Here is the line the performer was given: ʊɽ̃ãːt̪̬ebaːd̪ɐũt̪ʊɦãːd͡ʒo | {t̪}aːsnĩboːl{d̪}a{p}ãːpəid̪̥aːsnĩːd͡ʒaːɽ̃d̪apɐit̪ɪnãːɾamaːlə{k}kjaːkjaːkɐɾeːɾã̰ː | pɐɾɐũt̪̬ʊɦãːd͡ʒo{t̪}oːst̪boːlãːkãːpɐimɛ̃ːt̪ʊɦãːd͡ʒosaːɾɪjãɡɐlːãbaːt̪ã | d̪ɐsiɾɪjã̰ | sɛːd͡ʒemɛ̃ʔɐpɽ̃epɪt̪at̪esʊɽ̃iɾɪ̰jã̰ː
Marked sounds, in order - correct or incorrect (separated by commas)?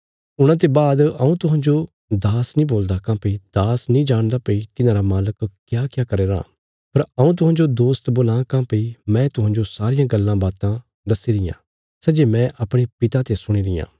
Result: incorrect, correct, incorrect, correct, incorrect